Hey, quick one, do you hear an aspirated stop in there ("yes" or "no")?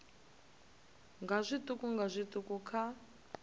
yes